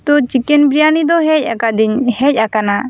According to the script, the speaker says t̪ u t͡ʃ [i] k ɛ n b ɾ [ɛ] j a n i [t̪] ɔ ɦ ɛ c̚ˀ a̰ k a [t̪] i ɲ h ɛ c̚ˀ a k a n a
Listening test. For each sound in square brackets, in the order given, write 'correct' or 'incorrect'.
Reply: correct, incorrect: i, incorrect: d̪, incorrect: d̪

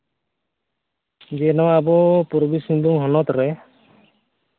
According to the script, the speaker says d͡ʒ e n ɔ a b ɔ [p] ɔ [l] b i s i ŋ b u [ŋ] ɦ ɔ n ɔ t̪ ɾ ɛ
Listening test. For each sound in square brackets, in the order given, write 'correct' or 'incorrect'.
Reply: correct, incorrect: ɾ, correct

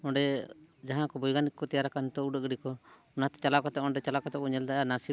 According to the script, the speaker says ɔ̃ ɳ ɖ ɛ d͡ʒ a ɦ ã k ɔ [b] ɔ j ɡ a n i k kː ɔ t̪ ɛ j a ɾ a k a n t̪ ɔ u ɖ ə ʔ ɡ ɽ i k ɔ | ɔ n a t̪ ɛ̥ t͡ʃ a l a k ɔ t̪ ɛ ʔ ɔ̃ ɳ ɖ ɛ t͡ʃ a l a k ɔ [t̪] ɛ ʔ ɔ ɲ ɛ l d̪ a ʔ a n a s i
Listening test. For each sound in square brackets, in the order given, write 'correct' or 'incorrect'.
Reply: correct, correct

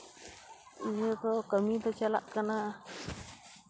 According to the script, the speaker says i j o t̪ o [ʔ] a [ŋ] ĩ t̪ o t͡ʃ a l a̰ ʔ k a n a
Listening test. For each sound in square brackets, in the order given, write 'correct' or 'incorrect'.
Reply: incorrect: k, incorrect: m

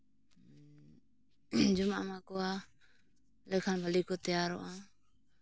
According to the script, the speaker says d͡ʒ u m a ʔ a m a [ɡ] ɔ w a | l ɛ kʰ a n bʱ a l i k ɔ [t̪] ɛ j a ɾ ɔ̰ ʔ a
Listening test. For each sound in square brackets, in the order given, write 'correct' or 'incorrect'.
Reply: incorrect: k, correct

